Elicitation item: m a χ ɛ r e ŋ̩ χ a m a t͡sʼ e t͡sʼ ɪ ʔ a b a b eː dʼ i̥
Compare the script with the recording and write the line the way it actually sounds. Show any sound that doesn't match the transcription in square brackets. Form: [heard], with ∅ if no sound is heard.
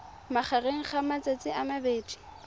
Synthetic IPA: m a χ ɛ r e ŋ̩ χ a m a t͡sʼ e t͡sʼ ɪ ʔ a [m] a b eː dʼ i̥

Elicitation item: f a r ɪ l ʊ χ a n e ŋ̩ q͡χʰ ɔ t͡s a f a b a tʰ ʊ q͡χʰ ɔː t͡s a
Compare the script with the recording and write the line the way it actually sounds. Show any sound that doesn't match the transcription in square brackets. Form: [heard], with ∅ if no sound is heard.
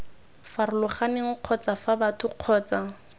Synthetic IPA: f a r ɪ l ʊ χ a n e ŋ̩ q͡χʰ ɔ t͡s a f a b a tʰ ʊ q͡χʰ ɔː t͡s a

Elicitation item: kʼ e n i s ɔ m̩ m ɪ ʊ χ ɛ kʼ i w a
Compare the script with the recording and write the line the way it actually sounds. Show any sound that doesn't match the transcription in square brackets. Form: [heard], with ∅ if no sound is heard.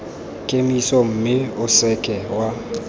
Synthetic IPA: kʼ e [m] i s ɔ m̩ m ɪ ʊ [s] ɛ kʼ [ɛ] w a

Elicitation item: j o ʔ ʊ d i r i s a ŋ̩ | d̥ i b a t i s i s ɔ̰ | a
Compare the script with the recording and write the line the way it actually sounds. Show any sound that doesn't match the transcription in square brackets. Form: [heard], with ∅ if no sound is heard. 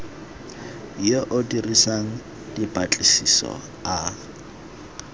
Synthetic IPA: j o ʔ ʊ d i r i s a ŋ̩ | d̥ i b a [t͡ɬʼ] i s i s ɔ̰ | a

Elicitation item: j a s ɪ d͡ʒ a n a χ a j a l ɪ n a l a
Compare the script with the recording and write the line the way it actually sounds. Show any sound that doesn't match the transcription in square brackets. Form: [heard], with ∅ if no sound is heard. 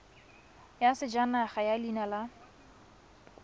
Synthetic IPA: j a s ɪ d͡ʒ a n a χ a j a l [i] n a l a

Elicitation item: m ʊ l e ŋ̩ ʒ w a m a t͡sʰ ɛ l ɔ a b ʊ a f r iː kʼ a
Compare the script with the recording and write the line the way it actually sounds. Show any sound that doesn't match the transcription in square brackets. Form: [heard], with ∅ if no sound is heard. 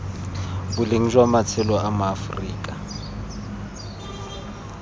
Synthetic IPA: [b] ʊ l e ŋ̩ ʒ w a m a t͡sʰ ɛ l ɔ a [m] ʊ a f r iː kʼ a

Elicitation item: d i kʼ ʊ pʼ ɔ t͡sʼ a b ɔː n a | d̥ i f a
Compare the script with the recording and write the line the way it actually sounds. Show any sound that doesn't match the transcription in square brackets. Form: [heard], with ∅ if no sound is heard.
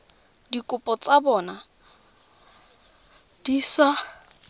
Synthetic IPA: d i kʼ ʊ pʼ ɔ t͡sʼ a b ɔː n a | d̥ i [s] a

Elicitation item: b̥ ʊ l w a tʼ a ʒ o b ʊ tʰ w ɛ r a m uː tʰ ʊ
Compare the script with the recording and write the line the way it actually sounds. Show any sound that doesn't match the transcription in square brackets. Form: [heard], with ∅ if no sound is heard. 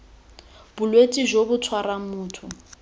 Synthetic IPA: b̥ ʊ l w [e] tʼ [i] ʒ o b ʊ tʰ w [a] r a m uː tʰ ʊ

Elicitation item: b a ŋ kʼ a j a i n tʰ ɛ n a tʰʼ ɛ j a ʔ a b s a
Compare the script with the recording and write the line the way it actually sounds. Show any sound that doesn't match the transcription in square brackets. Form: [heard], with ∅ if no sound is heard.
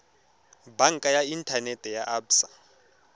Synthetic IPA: b a ŋ kʼ a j a i n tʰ [a] n [ɛ] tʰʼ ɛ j a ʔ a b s a

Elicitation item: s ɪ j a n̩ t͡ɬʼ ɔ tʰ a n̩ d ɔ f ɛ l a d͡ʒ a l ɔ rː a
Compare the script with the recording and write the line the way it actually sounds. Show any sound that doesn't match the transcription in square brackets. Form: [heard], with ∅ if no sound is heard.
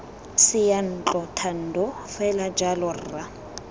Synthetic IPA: s ɪ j a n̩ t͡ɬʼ ɔ tʰ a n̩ d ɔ f ɛ l a d͡ʒ a l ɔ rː a

